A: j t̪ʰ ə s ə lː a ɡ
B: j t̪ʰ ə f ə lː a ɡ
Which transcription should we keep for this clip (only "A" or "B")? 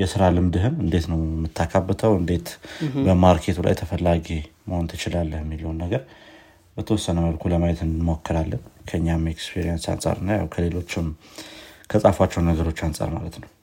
B